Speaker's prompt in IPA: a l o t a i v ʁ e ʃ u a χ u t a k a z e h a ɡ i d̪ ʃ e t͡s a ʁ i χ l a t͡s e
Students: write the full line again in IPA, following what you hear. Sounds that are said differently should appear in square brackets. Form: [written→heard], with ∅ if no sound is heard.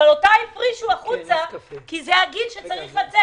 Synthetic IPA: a l o t a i [v→f] ʁ [e→i] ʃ u a χ u [t→t͡s] a k [a→i] z e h a ɡ i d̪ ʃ e t͡s a ʁ i χ l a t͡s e